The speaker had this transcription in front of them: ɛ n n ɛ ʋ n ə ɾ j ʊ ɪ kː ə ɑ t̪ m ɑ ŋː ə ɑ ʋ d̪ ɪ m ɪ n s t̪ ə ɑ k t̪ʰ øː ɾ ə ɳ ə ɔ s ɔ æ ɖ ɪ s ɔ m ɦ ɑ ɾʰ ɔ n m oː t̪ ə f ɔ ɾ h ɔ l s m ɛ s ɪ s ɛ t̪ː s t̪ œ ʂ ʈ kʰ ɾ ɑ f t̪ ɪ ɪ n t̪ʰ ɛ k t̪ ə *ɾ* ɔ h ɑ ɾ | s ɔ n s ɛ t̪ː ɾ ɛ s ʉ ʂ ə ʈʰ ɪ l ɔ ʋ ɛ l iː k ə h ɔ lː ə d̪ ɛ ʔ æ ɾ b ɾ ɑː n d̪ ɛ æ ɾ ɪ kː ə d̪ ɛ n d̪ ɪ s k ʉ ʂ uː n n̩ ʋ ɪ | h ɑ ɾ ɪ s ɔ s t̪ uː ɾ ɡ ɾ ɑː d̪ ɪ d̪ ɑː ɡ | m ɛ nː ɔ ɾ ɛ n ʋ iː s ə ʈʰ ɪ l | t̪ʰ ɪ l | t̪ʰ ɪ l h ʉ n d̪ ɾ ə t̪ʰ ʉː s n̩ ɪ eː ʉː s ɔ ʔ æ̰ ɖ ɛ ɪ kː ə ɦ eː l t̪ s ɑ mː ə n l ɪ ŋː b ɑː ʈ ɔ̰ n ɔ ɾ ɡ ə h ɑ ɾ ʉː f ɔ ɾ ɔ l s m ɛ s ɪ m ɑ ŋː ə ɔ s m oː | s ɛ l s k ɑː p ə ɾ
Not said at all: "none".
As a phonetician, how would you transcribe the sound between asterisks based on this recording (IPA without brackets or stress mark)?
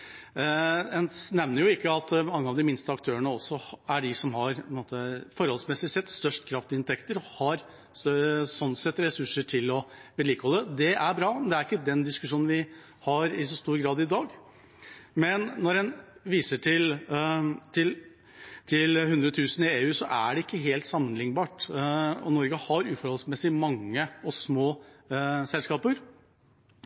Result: ɾ